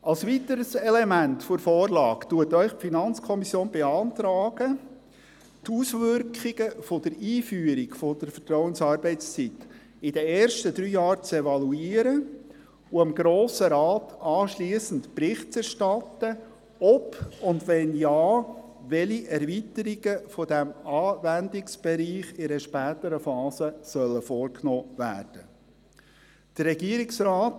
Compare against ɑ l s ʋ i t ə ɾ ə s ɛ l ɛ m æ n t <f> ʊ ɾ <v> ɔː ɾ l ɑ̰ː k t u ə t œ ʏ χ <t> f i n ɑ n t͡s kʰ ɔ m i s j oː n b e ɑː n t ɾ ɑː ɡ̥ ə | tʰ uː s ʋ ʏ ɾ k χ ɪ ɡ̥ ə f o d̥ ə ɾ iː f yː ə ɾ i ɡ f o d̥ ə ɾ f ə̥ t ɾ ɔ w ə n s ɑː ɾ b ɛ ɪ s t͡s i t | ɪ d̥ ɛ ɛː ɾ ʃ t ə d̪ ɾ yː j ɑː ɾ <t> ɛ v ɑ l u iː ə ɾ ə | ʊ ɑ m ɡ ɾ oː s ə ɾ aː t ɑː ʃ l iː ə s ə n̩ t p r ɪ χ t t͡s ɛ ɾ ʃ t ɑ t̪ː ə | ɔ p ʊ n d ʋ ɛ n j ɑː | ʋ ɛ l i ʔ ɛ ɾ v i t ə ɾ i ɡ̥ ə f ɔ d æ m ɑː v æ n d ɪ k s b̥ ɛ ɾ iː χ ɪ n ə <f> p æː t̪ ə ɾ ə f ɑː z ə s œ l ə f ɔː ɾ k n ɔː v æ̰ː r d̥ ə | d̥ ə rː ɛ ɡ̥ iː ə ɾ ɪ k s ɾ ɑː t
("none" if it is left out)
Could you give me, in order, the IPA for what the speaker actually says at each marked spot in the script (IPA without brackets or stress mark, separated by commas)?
f, f, p, t͡s, ʃ